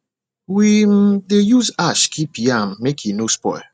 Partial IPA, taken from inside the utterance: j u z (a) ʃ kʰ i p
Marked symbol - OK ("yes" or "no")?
yes